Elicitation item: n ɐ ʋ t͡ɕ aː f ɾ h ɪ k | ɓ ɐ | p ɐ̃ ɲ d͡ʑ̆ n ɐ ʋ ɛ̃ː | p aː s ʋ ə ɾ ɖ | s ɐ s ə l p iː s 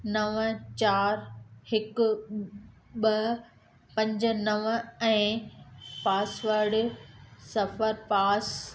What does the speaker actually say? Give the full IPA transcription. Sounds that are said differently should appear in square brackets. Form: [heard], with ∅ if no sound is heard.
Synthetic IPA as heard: n ɐ ʋ t͡ɕ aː [∅] ɾ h ɪ k | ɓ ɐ | p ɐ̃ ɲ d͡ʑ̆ n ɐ ʋ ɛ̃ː | p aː s ʋ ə ɾ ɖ | s ɐ [f] ə [ɾ] p [aː] s